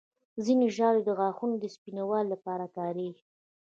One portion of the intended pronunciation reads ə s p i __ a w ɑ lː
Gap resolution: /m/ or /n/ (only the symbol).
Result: n